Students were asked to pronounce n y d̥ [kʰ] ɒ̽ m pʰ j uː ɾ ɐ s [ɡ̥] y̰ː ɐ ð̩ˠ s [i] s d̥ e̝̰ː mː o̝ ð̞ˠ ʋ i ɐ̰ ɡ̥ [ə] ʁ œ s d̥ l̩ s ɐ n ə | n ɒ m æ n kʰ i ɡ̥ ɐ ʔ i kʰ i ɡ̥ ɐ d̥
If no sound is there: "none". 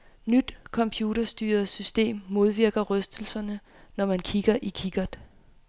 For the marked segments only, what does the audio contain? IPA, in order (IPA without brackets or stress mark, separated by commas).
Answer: kʰ, d̥, y, ɐ